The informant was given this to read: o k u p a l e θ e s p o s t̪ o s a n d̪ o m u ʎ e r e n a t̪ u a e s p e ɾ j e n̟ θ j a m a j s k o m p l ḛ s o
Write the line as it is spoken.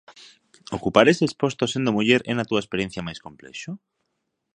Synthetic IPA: o k u p a ɾ e s e s p o s t̪ o s e n d̪ o m u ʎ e ɾ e n a t̪ u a e s p e ɾ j e n̟ θ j a m a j s k o m p l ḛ ʃ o